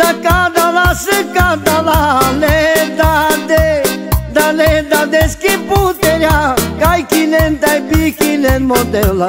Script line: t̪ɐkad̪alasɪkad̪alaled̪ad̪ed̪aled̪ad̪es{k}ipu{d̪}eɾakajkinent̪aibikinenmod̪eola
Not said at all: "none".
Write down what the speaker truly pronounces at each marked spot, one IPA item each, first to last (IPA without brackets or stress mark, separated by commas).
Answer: k, t̪